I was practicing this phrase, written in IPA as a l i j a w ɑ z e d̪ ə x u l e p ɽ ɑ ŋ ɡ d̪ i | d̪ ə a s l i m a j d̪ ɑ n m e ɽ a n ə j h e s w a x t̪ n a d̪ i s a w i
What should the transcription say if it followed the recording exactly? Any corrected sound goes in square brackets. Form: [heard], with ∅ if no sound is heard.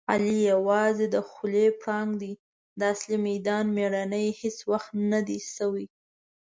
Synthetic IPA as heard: a l i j a w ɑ z e d̪ ə x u l e p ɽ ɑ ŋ ɡ d̪ i | d̪ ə a s l i m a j d̪ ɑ n m e ɽ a n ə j h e s w a x t̪ n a d̪ i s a w i